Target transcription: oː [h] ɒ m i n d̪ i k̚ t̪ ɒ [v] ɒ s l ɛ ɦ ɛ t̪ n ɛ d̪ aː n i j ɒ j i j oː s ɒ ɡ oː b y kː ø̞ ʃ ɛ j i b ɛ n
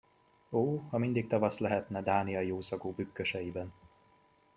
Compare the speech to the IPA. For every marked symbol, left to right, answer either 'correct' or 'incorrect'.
correct, correct

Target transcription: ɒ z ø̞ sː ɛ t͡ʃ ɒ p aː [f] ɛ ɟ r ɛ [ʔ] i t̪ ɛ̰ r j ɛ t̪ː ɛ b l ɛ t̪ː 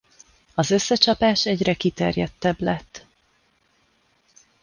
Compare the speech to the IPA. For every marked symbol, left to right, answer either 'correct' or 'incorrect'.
incorrect, incorrect

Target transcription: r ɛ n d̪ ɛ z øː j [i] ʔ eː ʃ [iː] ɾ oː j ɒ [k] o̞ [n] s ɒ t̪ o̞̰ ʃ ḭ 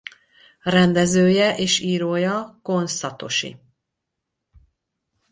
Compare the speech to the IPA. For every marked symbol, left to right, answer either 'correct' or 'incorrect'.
incorrect, correct, correct, correct

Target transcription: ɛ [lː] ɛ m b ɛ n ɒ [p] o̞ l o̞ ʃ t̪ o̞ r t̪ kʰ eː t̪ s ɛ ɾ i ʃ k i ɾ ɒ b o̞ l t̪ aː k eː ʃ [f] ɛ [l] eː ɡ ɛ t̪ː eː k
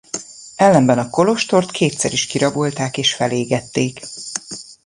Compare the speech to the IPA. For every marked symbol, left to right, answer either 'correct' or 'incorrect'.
correct, incorrect, correct, correct

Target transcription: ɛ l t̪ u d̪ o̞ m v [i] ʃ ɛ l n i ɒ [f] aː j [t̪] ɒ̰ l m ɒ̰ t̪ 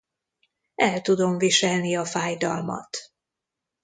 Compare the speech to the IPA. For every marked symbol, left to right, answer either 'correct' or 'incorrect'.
correct, correct, incorrect

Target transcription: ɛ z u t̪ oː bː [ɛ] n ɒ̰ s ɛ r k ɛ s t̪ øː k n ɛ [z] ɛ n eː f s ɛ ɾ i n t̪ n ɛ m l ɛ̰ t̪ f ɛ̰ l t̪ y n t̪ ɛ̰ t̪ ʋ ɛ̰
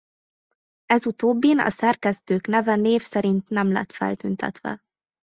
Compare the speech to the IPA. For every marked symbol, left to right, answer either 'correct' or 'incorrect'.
incorrect, incorrect

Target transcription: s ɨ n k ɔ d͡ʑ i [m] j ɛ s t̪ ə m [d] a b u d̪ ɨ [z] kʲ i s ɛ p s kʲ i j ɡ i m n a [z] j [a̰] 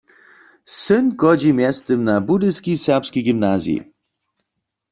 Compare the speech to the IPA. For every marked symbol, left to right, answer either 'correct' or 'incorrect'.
correct, incorrect, incorrect, correct, incorrect

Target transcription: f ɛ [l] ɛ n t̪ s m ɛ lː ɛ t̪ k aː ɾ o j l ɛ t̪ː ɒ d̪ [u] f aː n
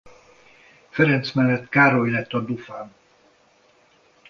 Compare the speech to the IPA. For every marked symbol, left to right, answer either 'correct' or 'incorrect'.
incorrect, correct

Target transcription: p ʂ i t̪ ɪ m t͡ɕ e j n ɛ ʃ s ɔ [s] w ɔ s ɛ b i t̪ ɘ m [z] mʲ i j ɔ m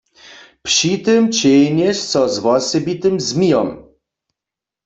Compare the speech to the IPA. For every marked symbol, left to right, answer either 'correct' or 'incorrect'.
incorrect, correct

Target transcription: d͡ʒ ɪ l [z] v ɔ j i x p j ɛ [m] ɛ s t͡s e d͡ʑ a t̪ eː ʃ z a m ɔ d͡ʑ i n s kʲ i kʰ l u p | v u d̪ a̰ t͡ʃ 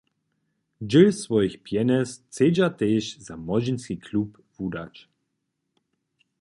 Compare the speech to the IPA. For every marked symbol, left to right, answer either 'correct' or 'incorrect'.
incorrect, incorrect

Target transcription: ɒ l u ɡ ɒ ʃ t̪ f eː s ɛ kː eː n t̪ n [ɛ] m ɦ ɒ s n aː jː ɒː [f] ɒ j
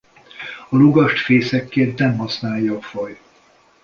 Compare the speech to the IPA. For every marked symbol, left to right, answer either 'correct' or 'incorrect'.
correct, correct

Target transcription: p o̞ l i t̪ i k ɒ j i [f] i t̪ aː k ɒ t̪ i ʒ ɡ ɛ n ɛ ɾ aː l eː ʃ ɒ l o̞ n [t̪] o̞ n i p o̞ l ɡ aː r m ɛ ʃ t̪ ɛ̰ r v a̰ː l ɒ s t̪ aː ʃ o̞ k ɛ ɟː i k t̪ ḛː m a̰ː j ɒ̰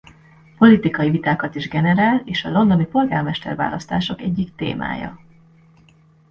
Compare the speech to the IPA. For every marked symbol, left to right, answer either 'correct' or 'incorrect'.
incorrect, incorrect

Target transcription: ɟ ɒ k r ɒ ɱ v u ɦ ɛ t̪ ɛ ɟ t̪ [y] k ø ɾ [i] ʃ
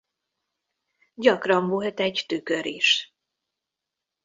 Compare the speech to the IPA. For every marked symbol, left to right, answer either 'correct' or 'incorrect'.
correct, correct

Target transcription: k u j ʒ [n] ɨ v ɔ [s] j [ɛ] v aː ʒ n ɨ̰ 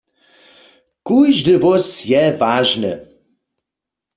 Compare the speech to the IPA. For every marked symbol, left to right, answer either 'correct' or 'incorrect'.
incorrect, correct, correct

